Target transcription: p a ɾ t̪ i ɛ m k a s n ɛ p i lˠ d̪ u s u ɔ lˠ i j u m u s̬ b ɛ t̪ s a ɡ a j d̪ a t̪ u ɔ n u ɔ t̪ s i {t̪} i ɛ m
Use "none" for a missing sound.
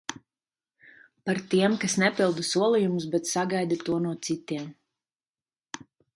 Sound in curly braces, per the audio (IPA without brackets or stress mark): t̪